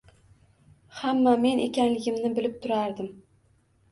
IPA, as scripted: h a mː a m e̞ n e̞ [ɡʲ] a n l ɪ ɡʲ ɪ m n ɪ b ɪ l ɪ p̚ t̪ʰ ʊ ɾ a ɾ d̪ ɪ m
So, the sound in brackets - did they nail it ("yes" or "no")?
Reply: no